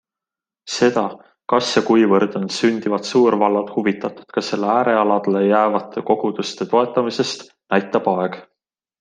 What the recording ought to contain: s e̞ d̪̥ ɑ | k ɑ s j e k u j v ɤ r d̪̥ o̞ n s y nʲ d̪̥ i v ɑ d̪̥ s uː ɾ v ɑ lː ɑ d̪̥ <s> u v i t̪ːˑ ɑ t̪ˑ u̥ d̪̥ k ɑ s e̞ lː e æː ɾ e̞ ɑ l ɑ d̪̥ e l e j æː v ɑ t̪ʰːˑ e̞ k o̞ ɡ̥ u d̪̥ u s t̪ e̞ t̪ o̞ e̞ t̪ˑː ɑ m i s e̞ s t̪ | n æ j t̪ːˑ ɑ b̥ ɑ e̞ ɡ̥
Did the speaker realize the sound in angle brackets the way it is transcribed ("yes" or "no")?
no